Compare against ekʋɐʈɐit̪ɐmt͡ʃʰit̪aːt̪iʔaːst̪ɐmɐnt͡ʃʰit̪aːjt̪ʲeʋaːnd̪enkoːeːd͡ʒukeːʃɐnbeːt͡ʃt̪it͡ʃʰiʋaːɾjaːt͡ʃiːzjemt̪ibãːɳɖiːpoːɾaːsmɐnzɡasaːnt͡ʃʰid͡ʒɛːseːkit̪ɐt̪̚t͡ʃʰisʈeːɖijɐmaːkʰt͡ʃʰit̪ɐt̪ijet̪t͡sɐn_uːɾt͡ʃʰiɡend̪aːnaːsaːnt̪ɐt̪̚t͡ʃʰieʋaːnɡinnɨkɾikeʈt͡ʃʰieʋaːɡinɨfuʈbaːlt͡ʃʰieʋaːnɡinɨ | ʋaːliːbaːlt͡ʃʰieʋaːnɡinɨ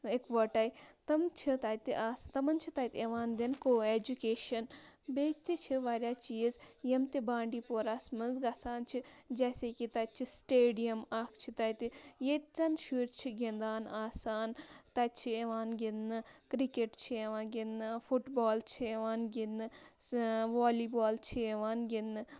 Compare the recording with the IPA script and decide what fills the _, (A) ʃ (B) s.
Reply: A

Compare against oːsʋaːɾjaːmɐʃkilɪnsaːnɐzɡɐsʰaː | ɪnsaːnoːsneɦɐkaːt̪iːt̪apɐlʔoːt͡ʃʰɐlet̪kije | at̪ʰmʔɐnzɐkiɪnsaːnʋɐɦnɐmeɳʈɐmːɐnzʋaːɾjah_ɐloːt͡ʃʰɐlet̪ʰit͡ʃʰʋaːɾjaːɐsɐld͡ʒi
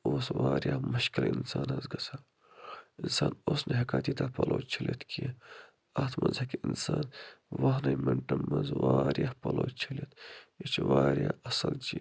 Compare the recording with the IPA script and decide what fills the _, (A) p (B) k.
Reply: A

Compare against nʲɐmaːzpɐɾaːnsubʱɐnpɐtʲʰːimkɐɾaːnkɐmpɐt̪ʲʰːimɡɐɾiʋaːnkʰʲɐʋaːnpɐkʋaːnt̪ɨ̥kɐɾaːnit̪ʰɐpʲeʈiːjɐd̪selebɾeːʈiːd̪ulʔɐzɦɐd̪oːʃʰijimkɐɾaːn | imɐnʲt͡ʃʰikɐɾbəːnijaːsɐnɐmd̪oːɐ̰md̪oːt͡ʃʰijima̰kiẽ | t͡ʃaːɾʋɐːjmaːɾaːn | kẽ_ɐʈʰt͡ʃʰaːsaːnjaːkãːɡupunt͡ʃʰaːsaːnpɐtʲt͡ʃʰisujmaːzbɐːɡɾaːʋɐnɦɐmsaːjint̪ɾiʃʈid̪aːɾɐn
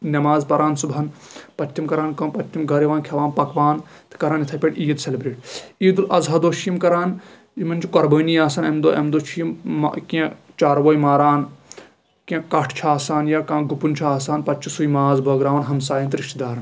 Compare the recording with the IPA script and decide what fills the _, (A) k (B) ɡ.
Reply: A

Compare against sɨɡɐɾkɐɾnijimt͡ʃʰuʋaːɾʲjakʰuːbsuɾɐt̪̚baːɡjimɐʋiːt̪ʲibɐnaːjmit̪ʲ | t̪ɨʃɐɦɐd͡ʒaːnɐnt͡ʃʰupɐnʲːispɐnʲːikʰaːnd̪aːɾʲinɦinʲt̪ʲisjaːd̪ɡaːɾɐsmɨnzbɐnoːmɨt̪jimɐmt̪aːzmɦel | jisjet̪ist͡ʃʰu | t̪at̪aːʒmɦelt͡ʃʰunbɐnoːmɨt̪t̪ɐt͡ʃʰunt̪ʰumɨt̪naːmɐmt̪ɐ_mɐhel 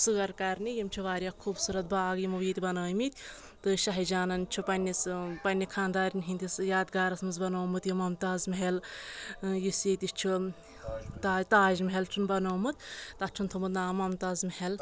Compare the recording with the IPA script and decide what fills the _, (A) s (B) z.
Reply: B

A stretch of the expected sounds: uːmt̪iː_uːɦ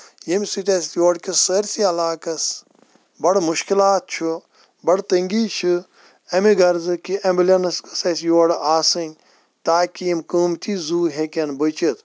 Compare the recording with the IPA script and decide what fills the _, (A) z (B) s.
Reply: A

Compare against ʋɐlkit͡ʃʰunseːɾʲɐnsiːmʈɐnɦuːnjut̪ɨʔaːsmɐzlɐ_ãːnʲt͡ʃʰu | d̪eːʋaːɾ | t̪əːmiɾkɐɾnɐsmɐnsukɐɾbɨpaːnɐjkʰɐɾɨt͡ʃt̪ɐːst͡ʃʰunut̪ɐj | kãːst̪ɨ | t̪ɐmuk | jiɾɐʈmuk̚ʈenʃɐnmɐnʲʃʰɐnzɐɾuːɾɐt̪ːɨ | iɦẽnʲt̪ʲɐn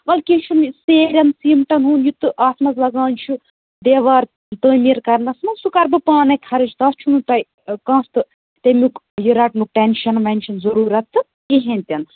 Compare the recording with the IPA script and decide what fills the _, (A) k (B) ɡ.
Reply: B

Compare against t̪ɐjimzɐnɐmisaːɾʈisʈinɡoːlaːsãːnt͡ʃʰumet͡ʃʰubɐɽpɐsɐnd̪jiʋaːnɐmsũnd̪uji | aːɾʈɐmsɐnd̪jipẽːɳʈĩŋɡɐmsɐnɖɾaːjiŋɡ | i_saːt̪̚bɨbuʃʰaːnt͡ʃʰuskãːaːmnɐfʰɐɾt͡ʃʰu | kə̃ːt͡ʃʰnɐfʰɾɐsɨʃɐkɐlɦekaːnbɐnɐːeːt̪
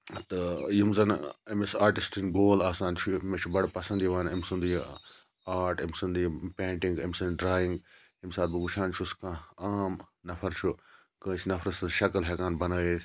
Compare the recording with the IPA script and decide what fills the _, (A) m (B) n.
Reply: A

